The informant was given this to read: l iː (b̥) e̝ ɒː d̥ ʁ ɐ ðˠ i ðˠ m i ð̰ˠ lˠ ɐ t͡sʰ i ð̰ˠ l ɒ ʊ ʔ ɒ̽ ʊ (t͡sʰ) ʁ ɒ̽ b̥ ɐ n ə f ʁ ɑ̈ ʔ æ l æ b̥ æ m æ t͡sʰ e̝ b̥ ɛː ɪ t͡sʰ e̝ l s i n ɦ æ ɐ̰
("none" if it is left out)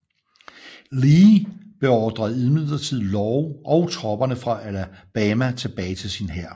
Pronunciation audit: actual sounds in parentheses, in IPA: b̥, t͡sʰ

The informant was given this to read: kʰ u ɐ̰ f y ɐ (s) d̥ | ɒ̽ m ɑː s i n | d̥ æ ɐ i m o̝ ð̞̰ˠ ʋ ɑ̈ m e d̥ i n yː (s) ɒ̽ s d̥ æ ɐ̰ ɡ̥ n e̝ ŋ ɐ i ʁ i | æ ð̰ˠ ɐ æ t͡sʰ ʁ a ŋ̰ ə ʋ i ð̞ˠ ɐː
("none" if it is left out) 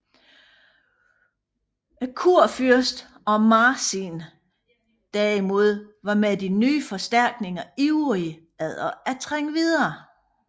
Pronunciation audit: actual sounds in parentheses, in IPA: s, f

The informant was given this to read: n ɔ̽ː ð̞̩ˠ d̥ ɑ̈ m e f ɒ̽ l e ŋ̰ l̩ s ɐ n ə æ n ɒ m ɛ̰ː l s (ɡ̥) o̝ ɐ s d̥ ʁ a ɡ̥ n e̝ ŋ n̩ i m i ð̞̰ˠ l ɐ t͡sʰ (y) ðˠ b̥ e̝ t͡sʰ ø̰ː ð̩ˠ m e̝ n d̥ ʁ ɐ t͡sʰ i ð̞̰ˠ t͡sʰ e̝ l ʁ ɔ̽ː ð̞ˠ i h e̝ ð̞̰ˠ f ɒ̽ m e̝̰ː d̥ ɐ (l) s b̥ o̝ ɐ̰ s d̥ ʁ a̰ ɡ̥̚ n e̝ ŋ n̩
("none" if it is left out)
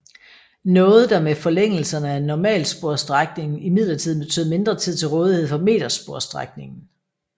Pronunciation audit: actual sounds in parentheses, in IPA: b̥, i, none

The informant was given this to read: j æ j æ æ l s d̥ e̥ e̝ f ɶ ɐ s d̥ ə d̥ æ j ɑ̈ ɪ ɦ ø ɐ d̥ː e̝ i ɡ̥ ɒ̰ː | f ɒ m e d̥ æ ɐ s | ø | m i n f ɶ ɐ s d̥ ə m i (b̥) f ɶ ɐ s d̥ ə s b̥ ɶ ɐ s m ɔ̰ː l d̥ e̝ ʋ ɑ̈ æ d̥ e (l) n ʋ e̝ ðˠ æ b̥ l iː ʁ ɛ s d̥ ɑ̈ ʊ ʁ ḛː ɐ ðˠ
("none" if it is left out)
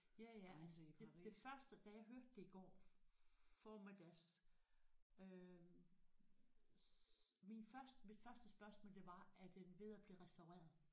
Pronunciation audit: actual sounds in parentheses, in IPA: d̥, none

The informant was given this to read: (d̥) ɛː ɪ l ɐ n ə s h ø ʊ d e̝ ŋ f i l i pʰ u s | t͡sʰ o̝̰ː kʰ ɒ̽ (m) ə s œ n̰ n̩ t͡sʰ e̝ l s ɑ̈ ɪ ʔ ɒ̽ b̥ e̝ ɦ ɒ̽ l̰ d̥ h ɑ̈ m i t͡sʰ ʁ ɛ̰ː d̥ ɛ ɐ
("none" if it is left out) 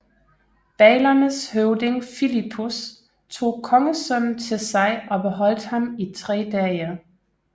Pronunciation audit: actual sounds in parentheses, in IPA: b̥, ŋ

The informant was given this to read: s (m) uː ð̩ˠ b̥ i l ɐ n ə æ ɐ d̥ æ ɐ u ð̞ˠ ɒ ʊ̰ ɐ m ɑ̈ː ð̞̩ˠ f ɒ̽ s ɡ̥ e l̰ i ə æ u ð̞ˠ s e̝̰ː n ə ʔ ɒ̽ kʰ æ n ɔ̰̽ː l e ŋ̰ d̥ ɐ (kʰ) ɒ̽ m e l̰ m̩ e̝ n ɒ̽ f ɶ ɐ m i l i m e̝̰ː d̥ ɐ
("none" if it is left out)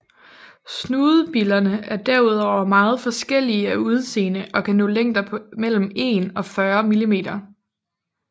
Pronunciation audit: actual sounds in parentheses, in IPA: n, pʰ

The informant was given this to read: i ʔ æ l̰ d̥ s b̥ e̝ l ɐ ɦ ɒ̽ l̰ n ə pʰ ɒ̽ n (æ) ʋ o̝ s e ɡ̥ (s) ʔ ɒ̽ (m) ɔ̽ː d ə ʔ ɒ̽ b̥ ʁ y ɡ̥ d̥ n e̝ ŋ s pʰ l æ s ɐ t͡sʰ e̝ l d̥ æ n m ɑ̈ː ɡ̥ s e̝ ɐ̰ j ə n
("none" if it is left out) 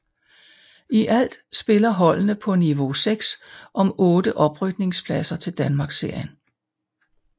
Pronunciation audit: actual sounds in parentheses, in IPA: i, s, m

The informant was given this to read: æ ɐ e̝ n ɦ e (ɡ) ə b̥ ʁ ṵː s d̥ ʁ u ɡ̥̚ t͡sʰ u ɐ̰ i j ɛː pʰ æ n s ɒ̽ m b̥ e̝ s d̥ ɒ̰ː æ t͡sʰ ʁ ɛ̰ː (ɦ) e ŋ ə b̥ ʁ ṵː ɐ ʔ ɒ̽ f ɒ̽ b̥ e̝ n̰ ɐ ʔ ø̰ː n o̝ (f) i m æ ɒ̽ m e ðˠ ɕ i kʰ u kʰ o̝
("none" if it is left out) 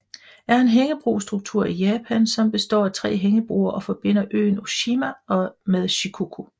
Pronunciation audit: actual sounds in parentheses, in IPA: ŋ, ɦ, ɕ

